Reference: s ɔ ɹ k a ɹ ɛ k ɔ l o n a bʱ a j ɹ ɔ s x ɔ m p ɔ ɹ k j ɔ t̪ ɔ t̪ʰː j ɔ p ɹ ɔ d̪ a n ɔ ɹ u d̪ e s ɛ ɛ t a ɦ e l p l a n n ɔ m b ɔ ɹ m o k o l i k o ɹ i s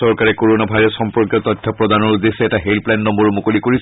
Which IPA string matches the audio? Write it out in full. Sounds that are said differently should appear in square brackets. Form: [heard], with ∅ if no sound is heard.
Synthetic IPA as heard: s ɔ ɹ k a ɹ ɛ k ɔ [ɹ] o n a bʱ a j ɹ ɔ s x ɔ m p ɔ ɹ k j ɔ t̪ ɔ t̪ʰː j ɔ p ɹ ɔ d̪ a n ɔ ɹ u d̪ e s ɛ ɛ t a ɦ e l p l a n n ɔ m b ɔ ɹ m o k o l i k o ɹ i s